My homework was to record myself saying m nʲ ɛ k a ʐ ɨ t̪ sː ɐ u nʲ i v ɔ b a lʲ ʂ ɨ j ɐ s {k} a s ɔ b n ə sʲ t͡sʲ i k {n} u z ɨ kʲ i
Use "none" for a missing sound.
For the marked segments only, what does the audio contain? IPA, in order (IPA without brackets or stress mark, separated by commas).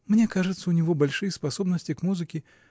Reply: p, m